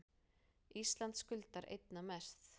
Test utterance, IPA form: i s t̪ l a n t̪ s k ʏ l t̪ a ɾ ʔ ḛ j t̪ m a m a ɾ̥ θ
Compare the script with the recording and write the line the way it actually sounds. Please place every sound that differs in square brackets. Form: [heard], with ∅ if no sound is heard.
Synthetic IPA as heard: i s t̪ l a n t̪ s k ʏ l t̪ a ɾ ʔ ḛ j t̪ [n] a m [ɛ] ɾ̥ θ